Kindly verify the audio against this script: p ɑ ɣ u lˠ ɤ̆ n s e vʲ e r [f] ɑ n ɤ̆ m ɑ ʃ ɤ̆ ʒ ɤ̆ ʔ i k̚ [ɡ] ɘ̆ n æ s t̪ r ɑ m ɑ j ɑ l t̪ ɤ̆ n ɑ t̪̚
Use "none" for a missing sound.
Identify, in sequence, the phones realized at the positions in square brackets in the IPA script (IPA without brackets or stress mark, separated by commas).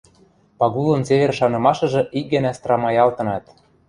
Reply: ʃ, ɡ